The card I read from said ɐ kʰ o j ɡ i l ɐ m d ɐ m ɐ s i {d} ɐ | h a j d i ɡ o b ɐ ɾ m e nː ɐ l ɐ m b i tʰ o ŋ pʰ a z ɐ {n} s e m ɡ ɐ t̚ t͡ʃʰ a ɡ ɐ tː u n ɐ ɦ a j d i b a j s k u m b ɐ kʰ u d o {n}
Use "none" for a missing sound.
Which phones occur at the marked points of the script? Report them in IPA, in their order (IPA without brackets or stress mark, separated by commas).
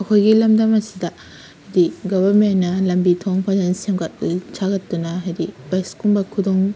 d, n, ŋ